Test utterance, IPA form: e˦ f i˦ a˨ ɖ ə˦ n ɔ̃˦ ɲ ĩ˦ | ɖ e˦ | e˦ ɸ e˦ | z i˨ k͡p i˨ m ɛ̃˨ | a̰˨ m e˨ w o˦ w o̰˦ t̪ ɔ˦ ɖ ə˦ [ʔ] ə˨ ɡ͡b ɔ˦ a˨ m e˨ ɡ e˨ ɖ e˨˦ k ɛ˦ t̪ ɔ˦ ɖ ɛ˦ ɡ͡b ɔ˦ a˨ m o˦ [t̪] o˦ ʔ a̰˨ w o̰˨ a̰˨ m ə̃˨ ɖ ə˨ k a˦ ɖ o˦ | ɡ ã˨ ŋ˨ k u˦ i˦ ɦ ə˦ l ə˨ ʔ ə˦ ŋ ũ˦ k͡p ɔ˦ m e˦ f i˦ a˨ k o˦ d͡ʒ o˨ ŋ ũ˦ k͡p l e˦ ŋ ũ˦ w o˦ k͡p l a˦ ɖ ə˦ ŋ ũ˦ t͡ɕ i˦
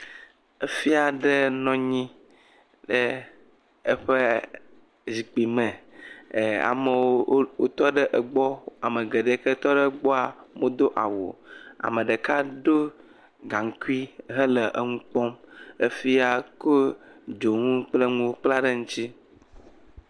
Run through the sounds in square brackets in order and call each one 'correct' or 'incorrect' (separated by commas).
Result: correct, incorrect